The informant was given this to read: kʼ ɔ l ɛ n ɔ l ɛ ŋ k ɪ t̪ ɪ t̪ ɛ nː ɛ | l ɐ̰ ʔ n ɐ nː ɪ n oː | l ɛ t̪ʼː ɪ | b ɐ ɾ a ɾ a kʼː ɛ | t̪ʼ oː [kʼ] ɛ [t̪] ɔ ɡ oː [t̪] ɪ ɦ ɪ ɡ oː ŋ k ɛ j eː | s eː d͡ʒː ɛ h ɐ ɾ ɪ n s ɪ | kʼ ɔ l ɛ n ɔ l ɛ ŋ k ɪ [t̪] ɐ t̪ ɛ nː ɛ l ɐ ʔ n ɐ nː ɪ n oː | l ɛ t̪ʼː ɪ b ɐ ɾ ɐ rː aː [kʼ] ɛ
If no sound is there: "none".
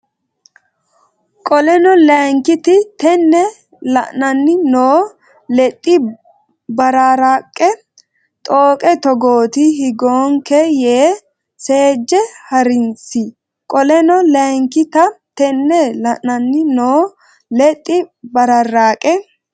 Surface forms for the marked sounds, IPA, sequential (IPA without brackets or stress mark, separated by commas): kʼ, t̪, t̪, t̪, kʼ